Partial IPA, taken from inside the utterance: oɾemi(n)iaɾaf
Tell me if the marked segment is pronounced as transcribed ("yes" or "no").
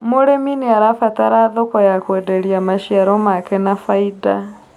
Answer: yes